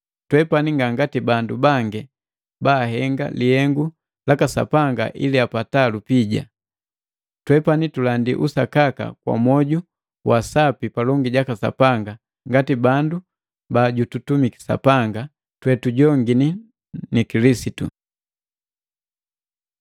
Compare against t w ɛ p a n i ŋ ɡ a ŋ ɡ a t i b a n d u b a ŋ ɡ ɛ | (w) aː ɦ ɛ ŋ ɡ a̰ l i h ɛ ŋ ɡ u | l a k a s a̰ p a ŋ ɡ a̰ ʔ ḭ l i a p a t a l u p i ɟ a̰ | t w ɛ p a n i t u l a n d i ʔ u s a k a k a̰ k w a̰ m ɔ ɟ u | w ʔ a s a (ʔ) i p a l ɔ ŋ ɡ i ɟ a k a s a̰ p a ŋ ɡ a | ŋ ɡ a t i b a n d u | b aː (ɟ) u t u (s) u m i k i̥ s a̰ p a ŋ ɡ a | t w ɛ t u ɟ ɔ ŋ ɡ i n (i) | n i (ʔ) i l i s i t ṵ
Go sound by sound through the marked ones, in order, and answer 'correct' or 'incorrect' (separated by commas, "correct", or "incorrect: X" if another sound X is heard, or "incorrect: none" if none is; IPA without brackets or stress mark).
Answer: incorrect: b, incorrect: p, correct, incorrect: t, correct, incorrect: k